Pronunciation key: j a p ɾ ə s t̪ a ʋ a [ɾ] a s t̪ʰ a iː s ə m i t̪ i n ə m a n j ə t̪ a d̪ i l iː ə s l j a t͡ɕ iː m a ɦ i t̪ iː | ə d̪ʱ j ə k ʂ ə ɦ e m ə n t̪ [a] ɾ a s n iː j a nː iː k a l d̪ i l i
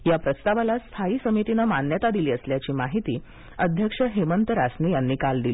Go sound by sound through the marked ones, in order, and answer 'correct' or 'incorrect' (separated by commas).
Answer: incorrect, incorrect